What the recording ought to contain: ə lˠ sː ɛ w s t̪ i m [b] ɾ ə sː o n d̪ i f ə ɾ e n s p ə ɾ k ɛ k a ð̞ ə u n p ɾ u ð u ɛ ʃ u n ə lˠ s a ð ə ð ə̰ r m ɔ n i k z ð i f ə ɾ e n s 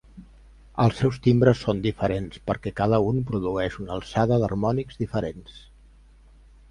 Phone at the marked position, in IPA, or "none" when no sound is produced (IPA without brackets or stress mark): b